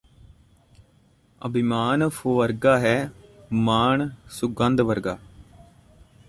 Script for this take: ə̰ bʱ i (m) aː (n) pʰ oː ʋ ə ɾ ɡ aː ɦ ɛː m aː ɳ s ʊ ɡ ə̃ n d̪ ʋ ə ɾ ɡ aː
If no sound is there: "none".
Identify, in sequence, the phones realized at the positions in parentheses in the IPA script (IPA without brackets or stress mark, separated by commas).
m, n